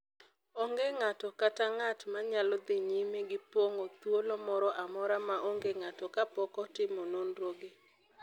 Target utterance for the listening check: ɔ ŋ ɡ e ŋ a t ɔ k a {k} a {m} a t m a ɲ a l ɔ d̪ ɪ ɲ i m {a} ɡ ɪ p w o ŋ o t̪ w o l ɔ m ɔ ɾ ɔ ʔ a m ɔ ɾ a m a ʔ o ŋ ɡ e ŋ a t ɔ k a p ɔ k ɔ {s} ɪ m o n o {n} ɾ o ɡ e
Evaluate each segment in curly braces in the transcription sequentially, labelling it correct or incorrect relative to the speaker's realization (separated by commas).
incorrect, incorrect, incorrect, incorrect, correct